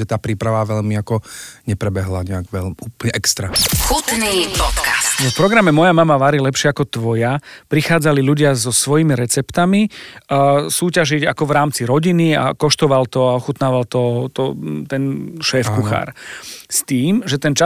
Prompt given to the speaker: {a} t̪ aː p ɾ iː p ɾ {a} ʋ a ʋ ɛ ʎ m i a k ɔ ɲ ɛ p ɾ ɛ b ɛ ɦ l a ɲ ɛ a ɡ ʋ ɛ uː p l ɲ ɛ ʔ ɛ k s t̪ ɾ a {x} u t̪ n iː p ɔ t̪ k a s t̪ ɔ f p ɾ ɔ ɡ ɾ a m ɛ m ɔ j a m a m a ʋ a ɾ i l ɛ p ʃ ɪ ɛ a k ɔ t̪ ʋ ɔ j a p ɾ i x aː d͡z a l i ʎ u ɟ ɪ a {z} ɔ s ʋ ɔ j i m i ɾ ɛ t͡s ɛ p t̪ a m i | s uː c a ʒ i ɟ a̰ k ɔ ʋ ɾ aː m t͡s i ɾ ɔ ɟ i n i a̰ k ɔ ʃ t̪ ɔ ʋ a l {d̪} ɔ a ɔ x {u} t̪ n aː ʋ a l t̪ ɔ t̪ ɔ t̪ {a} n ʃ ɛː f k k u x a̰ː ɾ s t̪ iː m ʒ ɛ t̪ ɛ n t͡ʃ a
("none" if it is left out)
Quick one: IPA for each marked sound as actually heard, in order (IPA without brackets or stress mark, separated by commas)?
ɛ, a, x, z, t̪, u, ɛ